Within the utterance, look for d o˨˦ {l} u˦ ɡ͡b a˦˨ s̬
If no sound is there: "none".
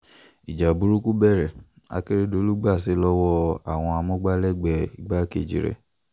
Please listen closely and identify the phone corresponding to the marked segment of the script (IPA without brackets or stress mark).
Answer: l